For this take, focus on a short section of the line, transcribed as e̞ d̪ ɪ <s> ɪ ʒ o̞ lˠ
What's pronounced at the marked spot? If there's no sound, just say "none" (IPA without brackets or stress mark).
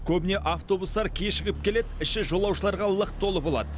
ʃ